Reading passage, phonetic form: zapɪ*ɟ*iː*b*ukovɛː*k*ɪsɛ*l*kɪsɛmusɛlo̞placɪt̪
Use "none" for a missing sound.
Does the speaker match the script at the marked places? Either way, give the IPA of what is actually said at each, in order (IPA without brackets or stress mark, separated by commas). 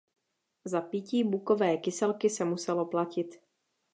c, b, k, l